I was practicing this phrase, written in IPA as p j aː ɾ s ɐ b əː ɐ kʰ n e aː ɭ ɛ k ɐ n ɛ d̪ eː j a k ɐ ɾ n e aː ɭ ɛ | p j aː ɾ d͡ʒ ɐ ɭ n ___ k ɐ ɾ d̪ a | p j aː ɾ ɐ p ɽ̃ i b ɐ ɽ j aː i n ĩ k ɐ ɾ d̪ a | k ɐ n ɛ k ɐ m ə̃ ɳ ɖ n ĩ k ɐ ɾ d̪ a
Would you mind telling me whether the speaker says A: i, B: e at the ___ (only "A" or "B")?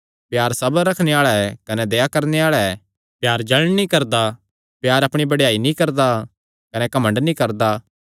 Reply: A